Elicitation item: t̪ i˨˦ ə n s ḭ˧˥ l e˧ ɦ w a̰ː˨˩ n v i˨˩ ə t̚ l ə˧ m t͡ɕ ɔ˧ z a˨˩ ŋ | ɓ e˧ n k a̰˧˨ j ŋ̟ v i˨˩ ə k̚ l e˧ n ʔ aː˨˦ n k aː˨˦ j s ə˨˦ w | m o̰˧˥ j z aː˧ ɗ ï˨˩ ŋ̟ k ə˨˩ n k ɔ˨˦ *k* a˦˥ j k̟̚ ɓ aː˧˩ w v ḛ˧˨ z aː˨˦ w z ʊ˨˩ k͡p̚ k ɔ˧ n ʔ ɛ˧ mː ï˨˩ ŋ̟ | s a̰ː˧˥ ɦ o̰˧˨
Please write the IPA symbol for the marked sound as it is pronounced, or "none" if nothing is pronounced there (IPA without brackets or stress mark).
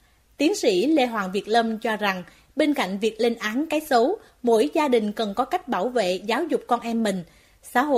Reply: k